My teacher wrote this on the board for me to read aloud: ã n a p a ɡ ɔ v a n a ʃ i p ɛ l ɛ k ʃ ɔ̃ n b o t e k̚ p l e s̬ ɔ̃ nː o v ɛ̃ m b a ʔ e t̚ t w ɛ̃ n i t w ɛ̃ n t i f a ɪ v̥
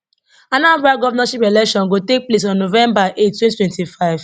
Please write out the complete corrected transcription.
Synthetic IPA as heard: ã n a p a ɡ ɔ v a n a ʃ i p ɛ l ɛ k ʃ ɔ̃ n ɡ o t e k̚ p l e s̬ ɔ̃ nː o v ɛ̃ m b a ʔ e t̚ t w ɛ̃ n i t w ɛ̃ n t i f a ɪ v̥